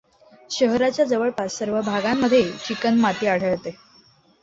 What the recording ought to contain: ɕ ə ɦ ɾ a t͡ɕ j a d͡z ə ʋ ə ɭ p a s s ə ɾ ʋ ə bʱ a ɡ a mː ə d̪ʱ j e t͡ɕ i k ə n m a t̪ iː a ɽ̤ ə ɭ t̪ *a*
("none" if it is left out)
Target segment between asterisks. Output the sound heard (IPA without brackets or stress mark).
e